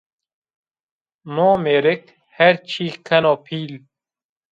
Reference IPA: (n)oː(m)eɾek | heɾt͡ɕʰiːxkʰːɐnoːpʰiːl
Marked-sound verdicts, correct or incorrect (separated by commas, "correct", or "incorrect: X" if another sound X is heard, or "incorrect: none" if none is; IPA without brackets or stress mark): correct, correct